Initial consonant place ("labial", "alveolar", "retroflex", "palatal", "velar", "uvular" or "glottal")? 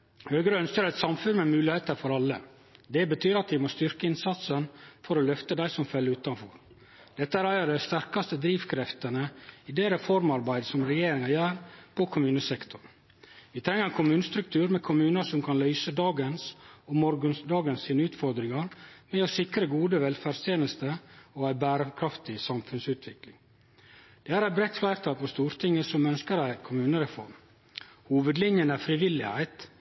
glottal